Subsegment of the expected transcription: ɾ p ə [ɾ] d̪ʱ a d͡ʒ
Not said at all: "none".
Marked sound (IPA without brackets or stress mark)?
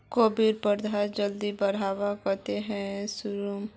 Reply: ɾ